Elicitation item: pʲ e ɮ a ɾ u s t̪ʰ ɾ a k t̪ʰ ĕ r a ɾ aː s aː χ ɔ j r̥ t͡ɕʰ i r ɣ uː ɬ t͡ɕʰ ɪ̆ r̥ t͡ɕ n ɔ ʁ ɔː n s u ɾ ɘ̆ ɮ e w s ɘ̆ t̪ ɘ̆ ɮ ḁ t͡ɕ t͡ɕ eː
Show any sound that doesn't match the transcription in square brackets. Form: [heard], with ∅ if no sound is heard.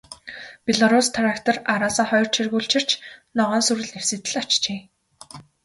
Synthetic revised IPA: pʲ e ɮ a ɾ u s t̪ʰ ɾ a k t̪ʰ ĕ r a ɾ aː s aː χ ɔ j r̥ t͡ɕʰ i r ɣ uː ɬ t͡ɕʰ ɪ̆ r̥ t͡ɕ n ɔ ʁ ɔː n s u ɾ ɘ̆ ɮ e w s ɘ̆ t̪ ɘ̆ ɮ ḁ t͡ɕ t͡ɕ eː